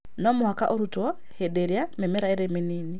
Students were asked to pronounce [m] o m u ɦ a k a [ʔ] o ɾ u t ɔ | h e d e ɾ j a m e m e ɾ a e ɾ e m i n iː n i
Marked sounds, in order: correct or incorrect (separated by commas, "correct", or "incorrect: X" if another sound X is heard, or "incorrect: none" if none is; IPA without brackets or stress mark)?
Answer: incorrect: n, correct